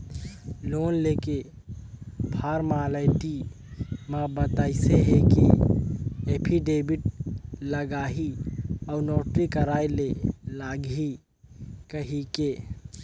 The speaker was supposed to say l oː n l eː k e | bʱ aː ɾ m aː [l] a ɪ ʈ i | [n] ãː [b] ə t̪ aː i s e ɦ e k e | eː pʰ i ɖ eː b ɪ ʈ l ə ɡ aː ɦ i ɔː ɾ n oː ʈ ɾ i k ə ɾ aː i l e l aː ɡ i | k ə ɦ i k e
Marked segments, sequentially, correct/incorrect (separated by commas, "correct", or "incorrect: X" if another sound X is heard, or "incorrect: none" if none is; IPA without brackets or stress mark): correct, incorrect: m, correct